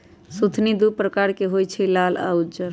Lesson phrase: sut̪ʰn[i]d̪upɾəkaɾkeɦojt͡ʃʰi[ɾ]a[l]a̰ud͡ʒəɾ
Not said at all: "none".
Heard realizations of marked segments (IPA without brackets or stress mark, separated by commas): i, l, l